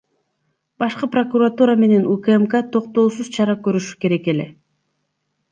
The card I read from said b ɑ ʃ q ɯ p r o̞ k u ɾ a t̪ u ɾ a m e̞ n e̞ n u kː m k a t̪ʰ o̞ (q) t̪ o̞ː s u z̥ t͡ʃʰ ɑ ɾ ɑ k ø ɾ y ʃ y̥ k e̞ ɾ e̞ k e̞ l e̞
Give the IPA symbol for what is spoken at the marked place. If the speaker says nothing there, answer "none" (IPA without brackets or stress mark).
q